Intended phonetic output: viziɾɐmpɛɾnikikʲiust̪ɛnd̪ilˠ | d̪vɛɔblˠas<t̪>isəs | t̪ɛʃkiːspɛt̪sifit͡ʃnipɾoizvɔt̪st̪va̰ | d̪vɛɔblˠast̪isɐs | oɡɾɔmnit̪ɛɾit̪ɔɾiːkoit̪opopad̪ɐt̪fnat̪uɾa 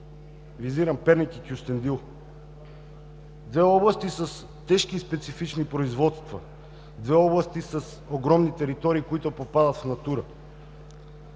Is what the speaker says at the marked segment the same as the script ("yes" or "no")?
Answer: yes